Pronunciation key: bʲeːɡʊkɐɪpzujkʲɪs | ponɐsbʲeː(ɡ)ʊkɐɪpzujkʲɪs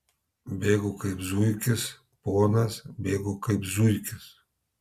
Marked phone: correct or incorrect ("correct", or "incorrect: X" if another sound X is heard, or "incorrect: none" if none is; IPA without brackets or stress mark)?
correct